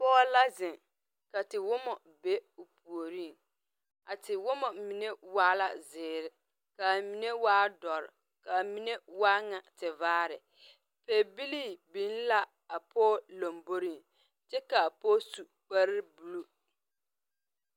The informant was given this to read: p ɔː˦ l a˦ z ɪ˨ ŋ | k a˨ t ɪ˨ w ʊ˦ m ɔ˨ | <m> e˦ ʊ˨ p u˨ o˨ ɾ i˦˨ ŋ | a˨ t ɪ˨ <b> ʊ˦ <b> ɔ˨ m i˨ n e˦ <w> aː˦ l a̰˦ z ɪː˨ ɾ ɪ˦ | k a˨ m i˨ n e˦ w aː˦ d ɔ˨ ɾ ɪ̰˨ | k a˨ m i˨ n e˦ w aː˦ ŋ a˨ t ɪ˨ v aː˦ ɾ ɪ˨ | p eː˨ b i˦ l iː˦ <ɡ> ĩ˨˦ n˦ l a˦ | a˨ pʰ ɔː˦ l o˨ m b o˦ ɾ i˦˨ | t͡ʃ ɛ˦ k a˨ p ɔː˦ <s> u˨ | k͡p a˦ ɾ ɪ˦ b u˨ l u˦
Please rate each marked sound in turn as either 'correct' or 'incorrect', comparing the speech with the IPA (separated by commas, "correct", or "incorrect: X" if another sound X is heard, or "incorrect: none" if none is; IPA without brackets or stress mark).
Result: incorrect: b, incorrect: w, incorrect: m, correct, incorrect: b, correct